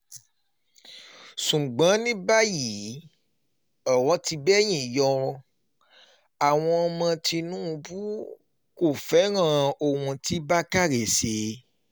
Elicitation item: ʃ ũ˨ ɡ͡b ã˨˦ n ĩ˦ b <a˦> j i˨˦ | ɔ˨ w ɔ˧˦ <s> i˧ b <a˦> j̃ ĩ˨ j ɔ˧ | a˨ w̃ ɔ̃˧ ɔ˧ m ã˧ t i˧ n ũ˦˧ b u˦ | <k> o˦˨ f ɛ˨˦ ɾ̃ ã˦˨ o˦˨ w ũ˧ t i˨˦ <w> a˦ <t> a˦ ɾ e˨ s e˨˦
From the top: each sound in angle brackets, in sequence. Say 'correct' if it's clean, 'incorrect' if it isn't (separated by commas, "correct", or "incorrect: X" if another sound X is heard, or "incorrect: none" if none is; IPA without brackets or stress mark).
correct, incorrect: t, incorrect: ɛ˦, correct, incorrect: b, incorrect: k